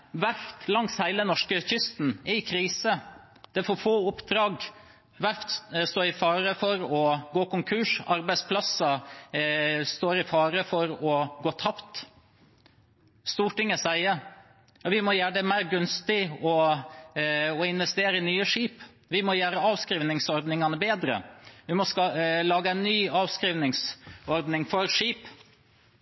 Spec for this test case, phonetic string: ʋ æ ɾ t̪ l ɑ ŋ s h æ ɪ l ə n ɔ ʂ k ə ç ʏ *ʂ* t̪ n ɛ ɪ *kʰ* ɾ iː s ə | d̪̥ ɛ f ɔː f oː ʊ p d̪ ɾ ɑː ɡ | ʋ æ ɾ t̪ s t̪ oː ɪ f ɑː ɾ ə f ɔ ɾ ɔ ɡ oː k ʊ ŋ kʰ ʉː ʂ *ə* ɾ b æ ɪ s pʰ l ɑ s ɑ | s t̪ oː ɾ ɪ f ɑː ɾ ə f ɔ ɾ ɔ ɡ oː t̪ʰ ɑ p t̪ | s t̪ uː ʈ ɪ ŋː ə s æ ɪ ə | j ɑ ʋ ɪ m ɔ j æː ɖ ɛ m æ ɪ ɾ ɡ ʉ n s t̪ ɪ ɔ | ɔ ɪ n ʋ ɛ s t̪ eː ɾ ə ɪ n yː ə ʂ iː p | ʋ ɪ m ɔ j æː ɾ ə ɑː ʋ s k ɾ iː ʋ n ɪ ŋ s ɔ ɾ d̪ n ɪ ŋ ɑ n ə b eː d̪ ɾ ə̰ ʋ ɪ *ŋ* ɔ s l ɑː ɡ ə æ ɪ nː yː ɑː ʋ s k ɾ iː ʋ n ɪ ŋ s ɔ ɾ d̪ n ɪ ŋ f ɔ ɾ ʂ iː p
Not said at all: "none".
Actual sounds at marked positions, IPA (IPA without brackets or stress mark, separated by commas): s, kʰ, ɑ, m